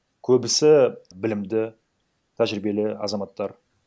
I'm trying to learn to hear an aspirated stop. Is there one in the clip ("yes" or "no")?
yes